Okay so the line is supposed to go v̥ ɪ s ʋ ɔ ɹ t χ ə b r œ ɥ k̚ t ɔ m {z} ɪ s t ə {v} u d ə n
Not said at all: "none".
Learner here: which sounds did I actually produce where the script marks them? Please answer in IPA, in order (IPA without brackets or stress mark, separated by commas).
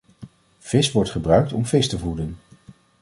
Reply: v, v